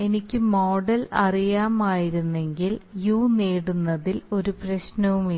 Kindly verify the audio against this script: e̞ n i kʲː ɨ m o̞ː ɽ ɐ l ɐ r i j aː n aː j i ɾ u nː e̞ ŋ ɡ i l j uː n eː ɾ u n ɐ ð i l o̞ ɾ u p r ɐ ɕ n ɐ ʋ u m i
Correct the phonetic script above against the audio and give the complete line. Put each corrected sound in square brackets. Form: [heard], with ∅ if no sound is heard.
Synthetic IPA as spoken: e̞ n i kʲː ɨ m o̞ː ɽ ɐ l ɐ r i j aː [m] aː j i ɾ u nː e̞ ŋ ɡ i l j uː n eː [ɽ] u [nː] ɐ ð i l o̞ ɾ u p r ɐ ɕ n ɐ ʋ u m i